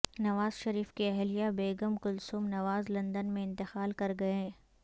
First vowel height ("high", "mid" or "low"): low